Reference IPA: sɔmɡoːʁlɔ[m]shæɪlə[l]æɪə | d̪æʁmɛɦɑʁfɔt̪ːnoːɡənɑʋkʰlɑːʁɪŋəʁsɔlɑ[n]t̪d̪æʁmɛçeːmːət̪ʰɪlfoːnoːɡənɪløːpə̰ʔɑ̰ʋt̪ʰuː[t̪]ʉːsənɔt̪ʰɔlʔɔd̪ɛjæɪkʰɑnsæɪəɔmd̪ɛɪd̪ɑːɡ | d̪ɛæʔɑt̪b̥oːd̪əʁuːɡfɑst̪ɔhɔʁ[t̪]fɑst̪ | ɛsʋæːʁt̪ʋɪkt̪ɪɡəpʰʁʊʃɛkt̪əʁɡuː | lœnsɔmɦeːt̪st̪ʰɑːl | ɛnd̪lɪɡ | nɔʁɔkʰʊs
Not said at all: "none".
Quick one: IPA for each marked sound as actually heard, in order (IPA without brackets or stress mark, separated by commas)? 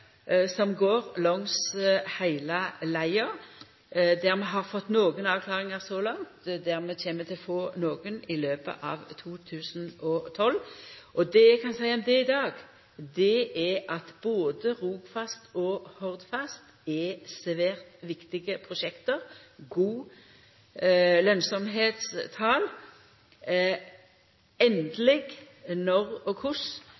ŋ, l, ŋ, t̪ʰ, d̪